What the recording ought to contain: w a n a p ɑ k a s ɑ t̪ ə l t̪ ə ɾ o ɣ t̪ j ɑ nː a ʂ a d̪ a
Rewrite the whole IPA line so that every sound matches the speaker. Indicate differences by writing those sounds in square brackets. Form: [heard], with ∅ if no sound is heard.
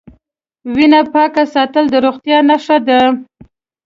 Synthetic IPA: w [i] n a p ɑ k a s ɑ t̪ ə l [d̪] ə ɾ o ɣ t̪ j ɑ [n] a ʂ a d̪ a